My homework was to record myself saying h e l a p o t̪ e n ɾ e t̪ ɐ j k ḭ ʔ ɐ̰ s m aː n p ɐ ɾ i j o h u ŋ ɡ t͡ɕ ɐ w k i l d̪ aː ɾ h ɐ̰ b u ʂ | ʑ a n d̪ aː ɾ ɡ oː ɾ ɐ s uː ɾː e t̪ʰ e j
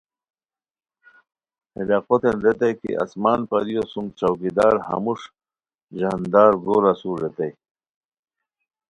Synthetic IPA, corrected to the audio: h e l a q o t̪ e n ɾ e t̪ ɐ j k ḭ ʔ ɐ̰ s m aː n p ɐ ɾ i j o s u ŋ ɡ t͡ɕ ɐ w k i d̪ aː ɾ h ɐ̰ m u ʂ | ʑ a n d̪ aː ɾ ɡ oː ɾ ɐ s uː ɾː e t̪ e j